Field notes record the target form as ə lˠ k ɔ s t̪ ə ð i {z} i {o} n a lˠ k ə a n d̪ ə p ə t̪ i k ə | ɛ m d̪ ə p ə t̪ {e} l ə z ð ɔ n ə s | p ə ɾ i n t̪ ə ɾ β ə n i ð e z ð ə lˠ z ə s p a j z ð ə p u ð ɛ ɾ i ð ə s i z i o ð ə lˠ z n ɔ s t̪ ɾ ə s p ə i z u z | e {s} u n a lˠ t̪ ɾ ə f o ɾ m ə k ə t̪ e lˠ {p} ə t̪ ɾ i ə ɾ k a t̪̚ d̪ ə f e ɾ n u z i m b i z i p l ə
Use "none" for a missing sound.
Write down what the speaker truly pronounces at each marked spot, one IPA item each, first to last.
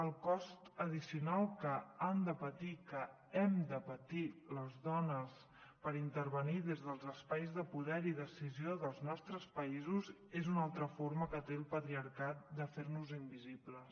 s, u, i, z, p

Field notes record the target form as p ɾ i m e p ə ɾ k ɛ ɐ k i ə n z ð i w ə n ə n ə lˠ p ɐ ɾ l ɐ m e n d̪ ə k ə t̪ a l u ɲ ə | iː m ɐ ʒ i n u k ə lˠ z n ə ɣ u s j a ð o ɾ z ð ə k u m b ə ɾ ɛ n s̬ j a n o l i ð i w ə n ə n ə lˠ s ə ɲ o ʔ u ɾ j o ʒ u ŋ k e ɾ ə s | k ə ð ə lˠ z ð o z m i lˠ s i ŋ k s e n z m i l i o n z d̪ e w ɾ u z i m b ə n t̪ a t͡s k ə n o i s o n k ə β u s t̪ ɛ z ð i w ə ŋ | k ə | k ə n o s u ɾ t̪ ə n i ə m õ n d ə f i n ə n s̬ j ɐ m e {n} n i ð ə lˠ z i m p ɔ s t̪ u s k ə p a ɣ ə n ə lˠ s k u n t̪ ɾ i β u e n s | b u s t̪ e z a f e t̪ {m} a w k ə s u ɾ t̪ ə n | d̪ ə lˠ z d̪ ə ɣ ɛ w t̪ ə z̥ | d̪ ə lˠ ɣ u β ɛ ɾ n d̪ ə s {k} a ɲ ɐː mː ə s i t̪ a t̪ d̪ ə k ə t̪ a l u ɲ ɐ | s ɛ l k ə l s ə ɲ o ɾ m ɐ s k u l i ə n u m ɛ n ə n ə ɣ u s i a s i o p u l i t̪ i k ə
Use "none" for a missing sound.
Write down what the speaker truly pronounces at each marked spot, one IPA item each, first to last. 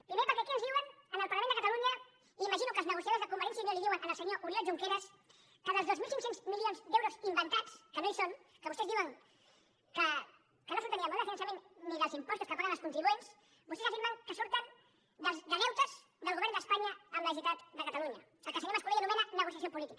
n, m, p

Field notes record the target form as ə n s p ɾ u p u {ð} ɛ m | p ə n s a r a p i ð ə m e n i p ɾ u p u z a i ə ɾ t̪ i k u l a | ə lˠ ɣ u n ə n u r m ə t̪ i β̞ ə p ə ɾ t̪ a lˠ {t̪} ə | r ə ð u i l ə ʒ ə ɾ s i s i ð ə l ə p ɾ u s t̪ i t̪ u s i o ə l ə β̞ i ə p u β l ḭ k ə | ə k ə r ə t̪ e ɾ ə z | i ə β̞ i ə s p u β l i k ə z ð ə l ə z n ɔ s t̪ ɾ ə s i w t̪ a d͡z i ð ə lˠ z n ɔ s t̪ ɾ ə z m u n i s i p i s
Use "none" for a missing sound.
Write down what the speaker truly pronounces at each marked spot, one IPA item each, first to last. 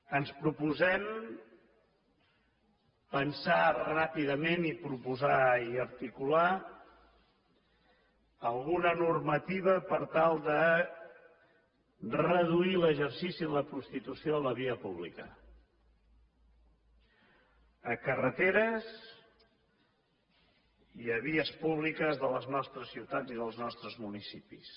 z, d̪

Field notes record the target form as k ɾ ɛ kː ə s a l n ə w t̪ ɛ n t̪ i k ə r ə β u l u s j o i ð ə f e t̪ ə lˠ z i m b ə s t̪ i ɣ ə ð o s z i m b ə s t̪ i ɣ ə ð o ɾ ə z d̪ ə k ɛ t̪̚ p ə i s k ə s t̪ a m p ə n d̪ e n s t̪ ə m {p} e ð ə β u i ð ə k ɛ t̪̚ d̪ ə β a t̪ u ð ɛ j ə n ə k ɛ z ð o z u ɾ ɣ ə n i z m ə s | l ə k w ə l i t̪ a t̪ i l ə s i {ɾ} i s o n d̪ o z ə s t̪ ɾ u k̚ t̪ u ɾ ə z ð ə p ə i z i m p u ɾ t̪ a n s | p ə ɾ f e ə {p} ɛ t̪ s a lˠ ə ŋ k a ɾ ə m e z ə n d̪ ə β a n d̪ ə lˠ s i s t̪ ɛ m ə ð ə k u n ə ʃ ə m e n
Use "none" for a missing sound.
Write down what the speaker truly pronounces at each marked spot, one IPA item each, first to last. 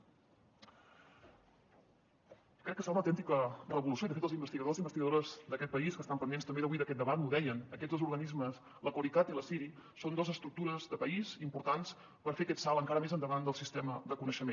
b, ɾ, k

